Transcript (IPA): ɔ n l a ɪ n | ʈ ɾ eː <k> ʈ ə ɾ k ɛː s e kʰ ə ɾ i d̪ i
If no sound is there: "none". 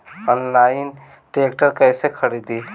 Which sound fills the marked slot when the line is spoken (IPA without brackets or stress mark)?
k